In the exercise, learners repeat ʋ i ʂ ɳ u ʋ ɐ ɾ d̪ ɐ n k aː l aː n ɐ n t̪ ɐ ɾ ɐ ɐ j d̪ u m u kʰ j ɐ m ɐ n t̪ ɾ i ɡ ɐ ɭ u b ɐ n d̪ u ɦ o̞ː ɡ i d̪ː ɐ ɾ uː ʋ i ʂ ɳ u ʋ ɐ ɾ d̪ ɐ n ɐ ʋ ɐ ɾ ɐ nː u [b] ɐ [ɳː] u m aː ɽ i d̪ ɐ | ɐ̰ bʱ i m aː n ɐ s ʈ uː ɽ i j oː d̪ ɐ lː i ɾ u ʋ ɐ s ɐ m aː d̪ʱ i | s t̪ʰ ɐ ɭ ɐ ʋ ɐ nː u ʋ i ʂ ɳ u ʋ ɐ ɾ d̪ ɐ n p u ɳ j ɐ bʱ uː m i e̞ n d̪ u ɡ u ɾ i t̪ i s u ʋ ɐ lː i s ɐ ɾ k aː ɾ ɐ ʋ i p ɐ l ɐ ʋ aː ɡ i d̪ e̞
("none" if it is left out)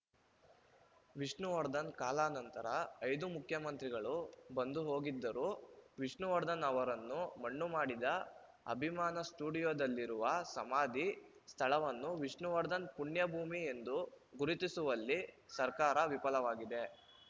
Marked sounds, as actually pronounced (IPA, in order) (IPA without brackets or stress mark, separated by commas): m, ɳː